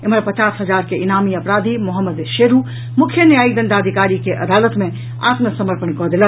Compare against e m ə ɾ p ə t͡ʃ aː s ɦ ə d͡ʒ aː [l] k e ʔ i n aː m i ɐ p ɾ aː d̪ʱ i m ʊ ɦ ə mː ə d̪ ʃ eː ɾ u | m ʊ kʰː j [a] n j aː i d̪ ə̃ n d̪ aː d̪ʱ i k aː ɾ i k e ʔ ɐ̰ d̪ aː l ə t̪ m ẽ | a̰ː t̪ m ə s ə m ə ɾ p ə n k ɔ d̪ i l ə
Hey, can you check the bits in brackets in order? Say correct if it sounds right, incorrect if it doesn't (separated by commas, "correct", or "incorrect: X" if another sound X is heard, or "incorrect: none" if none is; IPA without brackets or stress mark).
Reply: incorrect: ɾ, incorrect: ə